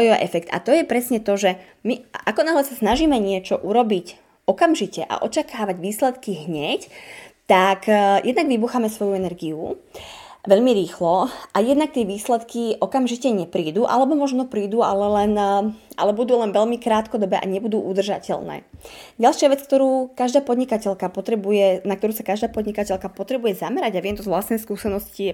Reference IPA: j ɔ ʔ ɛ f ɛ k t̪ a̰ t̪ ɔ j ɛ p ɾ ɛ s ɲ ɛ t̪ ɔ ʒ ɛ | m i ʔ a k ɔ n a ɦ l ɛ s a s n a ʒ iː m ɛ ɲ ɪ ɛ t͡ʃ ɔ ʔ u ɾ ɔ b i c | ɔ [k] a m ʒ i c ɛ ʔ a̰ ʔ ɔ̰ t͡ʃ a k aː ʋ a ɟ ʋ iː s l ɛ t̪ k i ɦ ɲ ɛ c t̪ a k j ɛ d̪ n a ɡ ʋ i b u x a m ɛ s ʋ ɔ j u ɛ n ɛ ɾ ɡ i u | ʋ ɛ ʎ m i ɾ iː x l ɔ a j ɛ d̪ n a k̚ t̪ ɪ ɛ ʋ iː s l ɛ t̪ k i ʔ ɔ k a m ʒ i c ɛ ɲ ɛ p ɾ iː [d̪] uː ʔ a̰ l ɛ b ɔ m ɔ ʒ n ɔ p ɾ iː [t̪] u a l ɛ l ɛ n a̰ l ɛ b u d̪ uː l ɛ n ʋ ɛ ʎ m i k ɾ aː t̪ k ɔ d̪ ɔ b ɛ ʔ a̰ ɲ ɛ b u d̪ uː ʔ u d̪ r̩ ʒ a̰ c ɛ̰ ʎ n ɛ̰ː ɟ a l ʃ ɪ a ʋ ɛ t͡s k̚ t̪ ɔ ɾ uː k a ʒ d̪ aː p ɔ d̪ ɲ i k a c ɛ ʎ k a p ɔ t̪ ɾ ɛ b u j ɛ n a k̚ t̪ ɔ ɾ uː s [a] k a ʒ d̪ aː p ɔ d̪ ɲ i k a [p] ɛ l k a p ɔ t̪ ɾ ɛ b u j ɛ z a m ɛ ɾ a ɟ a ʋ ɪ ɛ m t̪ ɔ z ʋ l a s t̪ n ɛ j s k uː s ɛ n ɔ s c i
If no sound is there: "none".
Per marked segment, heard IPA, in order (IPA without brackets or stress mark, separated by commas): k, d̪, d̪, a, c